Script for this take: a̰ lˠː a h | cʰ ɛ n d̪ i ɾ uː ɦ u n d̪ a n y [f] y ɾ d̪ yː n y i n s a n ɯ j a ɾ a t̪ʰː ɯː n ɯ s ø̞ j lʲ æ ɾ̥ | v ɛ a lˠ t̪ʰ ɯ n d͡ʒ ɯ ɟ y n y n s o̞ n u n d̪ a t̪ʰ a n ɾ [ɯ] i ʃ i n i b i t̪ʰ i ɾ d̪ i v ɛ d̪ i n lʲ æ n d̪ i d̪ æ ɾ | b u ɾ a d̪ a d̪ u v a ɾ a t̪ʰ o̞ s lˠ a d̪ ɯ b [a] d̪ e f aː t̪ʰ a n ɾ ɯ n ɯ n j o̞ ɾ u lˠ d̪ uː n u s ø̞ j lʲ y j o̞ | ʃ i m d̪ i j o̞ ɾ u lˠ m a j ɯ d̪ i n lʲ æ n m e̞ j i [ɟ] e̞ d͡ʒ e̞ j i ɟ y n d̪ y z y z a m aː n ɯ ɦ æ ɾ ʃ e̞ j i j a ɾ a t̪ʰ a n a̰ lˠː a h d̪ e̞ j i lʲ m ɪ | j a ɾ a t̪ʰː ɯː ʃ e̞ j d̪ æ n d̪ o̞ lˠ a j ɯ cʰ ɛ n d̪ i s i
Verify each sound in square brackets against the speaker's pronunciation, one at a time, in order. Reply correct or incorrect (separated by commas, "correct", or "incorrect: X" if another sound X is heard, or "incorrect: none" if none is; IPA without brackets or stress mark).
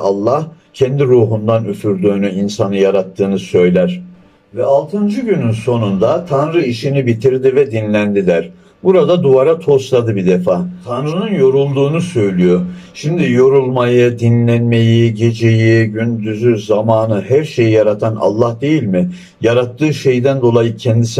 correct, correct, incorrect: i, correct